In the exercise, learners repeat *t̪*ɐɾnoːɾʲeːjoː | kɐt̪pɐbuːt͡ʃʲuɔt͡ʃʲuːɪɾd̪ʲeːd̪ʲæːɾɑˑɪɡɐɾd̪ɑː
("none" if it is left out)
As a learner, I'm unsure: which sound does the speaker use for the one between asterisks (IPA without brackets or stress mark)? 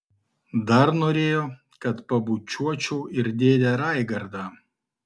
d̪